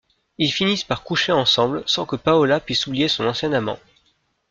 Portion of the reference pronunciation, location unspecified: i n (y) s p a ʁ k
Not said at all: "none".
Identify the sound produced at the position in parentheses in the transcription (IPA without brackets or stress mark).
i